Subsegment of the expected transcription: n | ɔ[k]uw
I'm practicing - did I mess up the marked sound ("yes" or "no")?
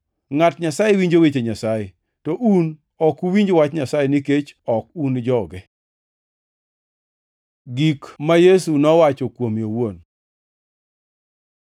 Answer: no